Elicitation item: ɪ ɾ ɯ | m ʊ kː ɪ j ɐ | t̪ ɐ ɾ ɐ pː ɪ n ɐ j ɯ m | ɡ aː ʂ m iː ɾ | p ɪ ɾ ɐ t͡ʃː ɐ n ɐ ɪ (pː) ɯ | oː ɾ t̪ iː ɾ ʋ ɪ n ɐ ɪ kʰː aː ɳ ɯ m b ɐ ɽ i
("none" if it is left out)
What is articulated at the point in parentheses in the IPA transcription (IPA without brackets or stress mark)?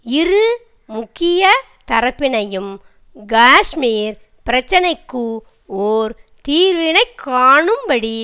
kː